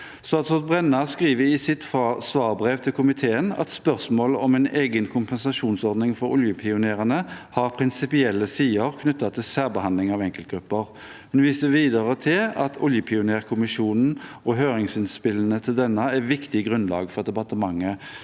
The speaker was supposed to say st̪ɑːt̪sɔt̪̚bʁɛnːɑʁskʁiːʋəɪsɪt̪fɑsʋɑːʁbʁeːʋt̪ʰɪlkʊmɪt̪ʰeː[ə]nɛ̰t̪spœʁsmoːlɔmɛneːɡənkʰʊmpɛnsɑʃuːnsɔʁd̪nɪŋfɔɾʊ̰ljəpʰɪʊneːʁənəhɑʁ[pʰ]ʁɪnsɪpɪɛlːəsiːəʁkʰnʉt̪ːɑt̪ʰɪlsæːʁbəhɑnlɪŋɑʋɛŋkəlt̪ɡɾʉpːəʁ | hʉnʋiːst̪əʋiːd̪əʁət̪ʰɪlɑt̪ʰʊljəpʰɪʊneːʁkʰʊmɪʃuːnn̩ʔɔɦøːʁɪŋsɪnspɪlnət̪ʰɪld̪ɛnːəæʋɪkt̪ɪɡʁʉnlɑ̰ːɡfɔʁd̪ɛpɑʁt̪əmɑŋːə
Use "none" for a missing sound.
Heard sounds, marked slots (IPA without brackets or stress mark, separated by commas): ə, pʰ